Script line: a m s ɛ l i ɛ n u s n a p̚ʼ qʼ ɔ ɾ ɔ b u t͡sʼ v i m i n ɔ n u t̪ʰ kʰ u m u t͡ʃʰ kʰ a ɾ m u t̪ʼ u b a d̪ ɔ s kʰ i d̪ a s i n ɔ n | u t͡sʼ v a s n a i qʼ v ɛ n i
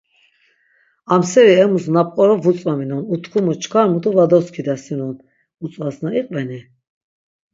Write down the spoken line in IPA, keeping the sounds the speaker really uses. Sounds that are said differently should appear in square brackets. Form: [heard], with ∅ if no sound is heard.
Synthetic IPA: a m s ɛ [ɾ] i ɛ [m] u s n a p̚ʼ qʼ ɔ ɾ ɔ [v] u t͡sʼ v [a] m i n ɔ n u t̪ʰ kʰ u m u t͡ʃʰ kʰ a ɾ m u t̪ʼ u [v] a d̪ ɔ s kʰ i d̪ a s i n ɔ n | u t͡sʼ v a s n a i qʼ v ɛ n i